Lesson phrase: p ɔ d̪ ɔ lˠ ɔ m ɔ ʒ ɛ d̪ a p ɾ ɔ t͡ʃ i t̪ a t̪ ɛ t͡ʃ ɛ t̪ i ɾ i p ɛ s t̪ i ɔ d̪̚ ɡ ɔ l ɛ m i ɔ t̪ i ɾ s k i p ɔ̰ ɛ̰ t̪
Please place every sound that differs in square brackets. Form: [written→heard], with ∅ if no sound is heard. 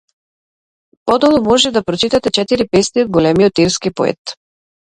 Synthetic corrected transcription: p ɔ d̪ ɔ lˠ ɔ m ɔ ʒ ɛ d̪ a p ɾ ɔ t͡ʃ i t̪ a t̪ ɛ t͡ʃ ɛ t̪ i ɾ i p ɛ s t̪ i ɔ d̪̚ ɡ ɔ l ɛ m i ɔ t̪ i ɾ s k i p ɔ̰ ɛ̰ t̪